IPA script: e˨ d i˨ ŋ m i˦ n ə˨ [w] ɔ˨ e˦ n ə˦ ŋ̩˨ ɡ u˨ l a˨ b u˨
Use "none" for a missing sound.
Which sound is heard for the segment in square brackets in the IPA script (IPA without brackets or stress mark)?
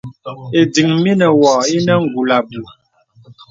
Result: w